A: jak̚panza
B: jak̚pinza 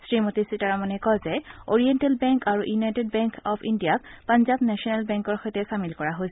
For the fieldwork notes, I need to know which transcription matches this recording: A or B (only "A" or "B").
A